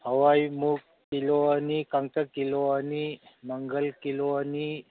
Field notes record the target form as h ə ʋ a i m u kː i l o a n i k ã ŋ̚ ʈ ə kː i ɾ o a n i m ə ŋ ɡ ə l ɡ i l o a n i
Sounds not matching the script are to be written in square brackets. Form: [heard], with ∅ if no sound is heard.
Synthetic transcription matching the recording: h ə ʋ a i m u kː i l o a n i k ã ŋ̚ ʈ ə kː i [l] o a n i m ə ŋ ɡ ə l [k] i l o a n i